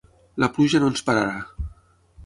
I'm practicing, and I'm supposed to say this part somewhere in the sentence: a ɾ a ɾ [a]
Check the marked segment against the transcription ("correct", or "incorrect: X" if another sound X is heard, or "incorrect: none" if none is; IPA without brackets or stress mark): correct